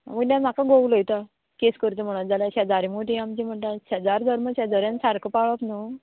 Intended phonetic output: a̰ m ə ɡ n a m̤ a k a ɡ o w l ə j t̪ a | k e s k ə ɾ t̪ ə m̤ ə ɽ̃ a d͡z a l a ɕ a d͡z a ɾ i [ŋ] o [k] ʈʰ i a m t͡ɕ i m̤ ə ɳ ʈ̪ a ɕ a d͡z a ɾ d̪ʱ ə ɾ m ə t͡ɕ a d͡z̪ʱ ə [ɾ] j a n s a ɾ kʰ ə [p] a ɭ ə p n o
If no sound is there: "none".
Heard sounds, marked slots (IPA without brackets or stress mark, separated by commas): m, none, ɾ, p